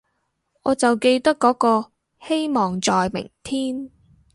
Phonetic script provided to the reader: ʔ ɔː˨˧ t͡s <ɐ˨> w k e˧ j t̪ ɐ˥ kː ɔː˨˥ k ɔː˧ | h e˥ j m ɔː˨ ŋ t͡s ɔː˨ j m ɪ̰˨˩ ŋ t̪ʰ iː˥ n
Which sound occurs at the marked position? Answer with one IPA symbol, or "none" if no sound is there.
ɐ˨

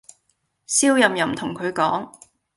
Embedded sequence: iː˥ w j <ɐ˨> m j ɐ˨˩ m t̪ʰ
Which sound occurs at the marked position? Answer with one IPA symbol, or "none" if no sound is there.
ɐ˨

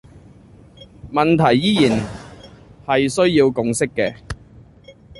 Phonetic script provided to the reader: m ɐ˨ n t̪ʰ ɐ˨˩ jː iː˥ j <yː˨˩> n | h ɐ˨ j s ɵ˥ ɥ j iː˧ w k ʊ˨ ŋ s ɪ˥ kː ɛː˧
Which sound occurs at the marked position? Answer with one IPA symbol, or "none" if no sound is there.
iː˨˩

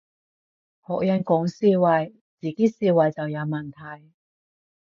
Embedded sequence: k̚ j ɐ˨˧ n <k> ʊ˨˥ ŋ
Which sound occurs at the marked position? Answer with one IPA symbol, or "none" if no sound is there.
k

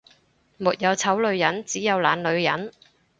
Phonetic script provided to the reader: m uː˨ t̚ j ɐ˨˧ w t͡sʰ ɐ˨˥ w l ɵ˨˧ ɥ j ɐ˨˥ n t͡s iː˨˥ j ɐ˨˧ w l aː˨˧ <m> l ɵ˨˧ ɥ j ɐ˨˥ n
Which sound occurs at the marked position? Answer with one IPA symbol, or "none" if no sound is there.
n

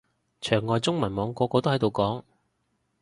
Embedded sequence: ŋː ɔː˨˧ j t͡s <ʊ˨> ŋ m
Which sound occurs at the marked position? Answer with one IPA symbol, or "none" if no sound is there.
ʊ˥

